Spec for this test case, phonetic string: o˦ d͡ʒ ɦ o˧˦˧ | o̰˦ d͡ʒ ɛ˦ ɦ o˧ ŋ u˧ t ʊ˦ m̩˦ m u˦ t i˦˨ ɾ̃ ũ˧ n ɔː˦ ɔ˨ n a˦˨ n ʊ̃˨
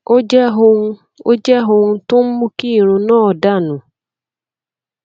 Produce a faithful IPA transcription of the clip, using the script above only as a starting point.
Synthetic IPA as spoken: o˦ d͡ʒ ɦ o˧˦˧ | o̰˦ d͡ʒ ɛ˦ ɦ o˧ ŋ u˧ t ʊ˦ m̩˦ m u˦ k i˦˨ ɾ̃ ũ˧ n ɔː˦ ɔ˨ d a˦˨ n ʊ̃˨